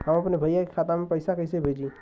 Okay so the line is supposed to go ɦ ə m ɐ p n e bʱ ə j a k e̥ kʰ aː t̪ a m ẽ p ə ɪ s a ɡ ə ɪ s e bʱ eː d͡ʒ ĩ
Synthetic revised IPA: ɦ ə m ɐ p n e bʱ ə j a k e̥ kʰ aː t̪ a m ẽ p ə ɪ s a k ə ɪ s e bʱ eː d͡ʒ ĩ